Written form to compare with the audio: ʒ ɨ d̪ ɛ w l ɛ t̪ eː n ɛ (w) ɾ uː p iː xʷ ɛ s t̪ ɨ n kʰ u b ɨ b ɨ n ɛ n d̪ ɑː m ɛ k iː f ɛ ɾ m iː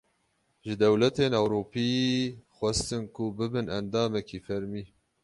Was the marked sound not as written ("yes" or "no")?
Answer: no